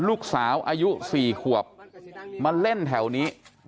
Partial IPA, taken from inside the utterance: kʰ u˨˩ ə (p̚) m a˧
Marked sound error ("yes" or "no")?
no